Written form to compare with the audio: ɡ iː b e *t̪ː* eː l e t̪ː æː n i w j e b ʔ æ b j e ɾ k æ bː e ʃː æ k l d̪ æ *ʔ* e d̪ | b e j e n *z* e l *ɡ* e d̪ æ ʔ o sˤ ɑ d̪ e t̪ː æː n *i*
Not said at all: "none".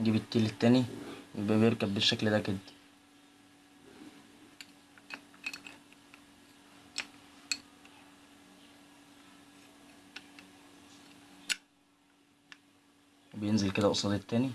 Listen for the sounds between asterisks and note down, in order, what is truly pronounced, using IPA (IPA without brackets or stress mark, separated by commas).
t̪ː, k, z, k, i